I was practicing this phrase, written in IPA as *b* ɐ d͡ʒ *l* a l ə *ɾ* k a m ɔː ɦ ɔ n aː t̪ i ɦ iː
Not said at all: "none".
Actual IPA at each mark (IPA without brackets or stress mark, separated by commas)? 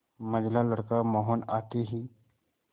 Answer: m, l, ɽ